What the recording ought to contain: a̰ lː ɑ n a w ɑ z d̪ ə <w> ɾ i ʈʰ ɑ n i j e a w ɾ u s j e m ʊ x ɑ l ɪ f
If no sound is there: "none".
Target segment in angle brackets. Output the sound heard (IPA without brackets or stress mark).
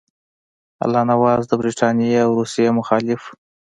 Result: b